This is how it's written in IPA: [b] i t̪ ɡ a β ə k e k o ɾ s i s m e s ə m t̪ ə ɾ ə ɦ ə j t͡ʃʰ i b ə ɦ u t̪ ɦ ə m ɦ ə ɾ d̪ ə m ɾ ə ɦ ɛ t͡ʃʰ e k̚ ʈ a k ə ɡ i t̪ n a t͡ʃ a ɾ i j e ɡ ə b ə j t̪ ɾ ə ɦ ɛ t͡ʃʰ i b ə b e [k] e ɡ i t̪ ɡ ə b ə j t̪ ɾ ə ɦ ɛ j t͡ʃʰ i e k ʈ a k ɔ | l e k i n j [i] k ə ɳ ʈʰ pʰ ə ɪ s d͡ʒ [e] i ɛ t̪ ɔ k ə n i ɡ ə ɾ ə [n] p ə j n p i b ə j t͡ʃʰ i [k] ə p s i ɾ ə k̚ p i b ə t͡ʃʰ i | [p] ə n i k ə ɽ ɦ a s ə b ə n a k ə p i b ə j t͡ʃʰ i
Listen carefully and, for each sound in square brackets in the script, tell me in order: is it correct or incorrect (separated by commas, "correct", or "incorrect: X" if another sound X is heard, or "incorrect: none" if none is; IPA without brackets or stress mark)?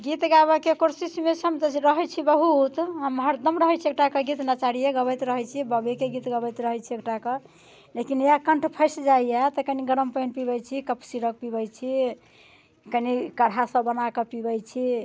incorrect: ɡ, correct, incorrect: a, incorrect: a, incorrect: m, correct, incorrect: k